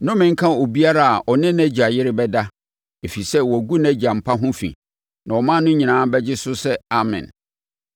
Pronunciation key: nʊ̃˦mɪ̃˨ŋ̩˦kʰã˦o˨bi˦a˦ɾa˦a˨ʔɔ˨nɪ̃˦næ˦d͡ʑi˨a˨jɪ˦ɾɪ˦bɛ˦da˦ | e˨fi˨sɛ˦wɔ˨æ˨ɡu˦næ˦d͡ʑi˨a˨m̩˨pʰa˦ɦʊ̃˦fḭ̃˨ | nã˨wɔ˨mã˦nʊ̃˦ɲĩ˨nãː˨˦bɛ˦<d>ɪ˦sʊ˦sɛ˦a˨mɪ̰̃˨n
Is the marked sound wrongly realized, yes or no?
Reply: yes